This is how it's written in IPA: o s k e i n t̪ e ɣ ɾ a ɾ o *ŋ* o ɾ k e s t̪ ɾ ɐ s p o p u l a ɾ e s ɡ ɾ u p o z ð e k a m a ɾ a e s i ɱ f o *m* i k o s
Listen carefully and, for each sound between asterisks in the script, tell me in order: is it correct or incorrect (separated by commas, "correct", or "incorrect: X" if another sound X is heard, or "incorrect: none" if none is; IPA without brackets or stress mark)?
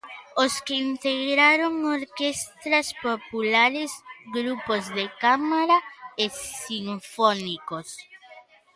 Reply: correct, incorrect: n